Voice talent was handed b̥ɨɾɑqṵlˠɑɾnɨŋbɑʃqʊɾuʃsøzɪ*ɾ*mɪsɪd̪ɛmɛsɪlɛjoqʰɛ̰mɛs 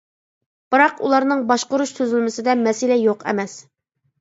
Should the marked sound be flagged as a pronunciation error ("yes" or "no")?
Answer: yes